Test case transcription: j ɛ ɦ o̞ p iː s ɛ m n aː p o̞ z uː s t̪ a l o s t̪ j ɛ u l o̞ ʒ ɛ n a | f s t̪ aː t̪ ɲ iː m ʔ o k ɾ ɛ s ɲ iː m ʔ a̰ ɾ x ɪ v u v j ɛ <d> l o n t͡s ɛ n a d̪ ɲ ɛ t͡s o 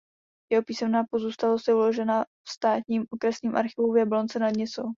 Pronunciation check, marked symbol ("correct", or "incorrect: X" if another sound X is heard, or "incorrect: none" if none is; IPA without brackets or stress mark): incorrect: b